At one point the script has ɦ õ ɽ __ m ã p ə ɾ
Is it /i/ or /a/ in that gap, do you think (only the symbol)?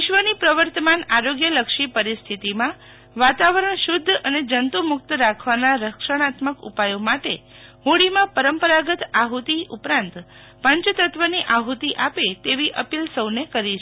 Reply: i